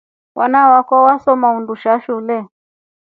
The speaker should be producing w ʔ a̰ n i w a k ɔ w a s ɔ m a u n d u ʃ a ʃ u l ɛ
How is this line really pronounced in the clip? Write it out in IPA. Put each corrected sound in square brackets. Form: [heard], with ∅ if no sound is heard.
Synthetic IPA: w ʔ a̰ n [a] w a k ɔ w a s ɔ m a u n d u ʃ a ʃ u l ɛ

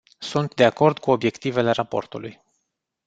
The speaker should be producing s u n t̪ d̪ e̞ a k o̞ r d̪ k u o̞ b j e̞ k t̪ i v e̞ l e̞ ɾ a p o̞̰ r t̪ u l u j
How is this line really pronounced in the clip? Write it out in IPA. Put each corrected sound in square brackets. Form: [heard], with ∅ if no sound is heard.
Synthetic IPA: s u n t̪ d̪ e̞ a k o̞ r d̪ k u o̞ b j e̞ k t̪ i v e̞ l e̞ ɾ a p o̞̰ r t̪ u l u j

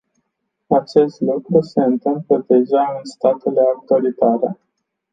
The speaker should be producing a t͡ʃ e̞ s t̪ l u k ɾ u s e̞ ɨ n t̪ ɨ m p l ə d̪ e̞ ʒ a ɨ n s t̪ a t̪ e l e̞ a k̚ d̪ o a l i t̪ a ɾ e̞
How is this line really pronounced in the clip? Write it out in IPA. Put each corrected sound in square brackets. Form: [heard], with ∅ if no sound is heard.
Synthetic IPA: a t͡ʃ e̞ s t̪ l u k ɾ u s e̞ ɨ n t̪ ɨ m p l ə d̪ e̞ ʒ a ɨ n s t̪ a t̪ e l e̞ a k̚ [t̪] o a l i t̪ a ɾ e̞

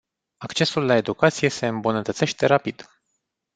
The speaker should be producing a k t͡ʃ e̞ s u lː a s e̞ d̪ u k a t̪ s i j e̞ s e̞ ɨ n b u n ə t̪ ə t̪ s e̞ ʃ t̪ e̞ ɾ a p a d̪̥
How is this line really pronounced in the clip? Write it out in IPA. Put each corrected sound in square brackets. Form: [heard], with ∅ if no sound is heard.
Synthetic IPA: a k t͡ʃ e̞ s u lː a [∅] e̞ d̪ u k a t̪ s i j e̞ s e̞ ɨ [m] b u n ə t̪ ə t̪ s e̞ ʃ t̪ e̞ ɾ a p [i] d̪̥

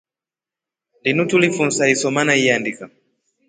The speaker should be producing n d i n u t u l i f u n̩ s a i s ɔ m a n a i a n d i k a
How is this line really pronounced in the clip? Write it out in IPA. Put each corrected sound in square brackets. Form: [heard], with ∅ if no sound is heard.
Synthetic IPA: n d i n u t u l i f u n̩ s a i s ɔ m a n a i a n d i k a

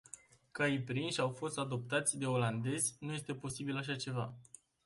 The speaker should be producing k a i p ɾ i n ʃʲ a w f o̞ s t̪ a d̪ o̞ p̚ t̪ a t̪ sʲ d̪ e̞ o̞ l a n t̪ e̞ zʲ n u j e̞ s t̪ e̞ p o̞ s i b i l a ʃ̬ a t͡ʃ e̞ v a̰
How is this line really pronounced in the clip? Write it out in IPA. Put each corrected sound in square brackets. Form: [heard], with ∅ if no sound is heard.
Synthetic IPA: k a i p ɾ i n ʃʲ a w f o̞ s t̪ a d̪ o̞ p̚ t̪ a t̪ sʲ d̪ e̞ o̞ l a n [d̪] e̞ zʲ n u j e̞ s t̪ e̞ p o̞ s i b i l a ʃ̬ a t͡ʃ e̞ v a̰

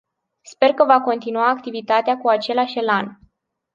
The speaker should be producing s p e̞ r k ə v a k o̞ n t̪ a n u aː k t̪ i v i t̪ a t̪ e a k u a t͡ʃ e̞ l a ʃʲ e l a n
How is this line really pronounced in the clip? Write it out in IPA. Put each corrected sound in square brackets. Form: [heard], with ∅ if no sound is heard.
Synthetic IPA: s p e̞ r k ə v a k o̞ n t̪ [i] n u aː k t̪ i v i t̪ a t̪ e a k u a t͡ʃ e̞ l a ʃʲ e l a n

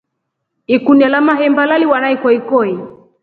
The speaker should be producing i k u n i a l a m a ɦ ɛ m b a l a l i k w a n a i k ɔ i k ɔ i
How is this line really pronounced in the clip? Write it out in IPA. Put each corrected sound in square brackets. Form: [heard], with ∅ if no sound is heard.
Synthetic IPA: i k u n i a l a m a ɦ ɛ m b a l a l i [∅] w a n a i k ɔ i k ɔ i

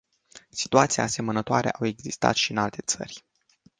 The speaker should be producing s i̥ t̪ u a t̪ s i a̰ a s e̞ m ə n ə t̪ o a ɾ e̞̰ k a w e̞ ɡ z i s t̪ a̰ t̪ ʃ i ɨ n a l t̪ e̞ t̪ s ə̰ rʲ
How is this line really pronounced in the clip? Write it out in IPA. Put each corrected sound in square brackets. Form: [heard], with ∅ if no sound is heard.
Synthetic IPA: s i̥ t̪ u a t̪ s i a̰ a s e̞ m ə n ə t̪ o a ɾ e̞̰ [ʔ] a w e̞ ɡ z i s t̪ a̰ t̪ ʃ i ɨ n a l t̪ e̞ t̪ s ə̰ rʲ

